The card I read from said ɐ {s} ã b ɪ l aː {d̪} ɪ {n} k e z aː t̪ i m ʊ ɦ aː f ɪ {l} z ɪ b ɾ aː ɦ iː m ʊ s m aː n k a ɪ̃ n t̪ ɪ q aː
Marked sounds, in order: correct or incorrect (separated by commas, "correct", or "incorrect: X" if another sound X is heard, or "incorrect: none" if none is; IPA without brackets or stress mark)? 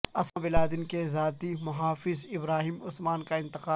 correct, correct, correct, incorrect: none